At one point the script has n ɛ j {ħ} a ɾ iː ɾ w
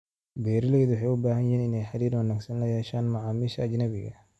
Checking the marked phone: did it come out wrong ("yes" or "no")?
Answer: no